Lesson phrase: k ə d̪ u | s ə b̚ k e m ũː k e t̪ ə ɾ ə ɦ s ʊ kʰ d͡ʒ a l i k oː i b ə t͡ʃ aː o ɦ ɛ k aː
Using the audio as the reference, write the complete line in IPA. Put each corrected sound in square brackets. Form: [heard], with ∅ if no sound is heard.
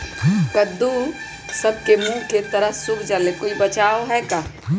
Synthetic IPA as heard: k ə d̪ u | s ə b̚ k e m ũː k e t̪ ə ɾ ə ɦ s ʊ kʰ d͡ʒ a l [e] k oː i b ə t͡ʃ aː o ɦ ɛ k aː